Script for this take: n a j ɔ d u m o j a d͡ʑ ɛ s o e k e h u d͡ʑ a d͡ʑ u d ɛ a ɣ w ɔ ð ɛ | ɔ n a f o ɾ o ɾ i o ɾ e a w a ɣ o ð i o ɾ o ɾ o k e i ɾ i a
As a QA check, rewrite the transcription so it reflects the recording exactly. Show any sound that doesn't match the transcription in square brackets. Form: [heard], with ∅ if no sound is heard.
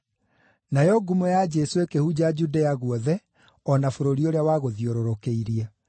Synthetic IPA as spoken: n a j ɔ [ɡ] u m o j a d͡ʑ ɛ s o e k e h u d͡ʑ a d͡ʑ u d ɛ a ɣ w ɔ ð ɛ | ɔ n a f o ɾ o ɾ i o ɾ e a w a ɣ o ð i o ɾ o ɾ o k e i ɾ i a